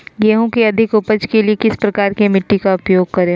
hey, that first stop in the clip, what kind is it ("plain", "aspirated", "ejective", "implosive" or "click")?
plain